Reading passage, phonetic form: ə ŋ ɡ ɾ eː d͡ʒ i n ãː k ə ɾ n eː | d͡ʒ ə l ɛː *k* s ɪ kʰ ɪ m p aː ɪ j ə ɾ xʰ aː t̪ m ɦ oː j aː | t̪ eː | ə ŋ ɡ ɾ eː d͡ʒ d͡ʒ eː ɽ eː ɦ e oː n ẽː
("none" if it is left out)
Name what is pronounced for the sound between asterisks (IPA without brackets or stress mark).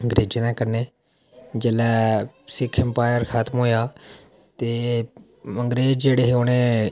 none